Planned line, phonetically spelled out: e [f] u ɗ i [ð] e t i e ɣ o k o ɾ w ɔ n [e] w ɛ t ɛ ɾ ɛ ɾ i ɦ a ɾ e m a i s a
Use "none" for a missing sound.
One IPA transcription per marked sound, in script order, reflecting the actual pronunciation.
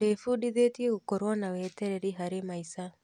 f, ð, a

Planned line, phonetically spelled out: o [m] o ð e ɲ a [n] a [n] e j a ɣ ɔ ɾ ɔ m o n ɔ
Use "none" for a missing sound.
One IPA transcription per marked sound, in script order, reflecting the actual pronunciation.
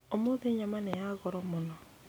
m, m, n

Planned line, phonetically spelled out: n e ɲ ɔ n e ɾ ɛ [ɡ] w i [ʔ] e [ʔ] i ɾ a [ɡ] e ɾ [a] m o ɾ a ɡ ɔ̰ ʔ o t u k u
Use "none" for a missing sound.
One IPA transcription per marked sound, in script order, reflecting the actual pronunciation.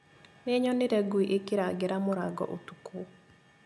ɡ, ʔ, k, ɡ, a

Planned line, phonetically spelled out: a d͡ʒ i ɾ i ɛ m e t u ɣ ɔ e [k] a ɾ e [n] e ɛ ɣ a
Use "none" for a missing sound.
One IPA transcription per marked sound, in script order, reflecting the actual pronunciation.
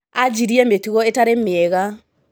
t, m

